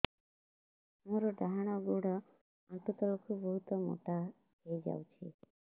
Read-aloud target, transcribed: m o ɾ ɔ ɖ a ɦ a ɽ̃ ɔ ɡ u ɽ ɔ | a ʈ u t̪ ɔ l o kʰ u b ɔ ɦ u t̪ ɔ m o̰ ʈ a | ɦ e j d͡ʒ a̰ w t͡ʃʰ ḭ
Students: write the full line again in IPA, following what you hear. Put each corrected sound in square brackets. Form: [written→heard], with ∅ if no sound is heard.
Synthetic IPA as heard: m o ɾ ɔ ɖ a ɦ a ɽ̃ ɔ ɡ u ɽ ɔ | a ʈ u t̪ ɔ l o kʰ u b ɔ ɦ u t̪ ɔ m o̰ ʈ a | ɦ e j d͡ʒ a̰ w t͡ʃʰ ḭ